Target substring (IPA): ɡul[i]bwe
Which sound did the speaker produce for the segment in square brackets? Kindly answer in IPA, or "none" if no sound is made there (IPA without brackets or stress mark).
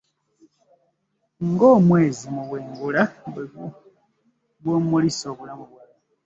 a